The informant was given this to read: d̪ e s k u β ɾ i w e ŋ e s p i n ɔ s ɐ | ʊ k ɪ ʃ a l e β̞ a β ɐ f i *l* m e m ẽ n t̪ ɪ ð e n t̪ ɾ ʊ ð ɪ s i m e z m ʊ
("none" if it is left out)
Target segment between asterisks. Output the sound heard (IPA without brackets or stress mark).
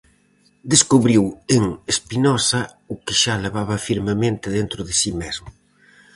ɾ